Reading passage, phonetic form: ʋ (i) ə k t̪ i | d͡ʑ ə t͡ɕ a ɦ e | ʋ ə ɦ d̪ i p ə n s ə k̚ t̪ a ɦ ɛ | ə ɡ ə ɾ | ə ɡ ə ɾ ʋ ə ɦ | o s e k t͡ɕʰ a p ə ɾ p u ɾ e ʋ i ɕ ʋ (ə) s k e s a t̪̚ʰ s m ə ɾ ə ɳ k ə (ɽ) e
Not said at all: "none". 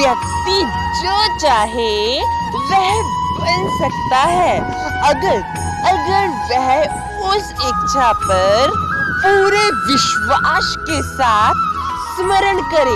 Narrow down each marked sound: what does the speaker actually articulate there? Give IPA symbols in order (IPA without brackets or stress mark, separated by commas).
j, a, ɾ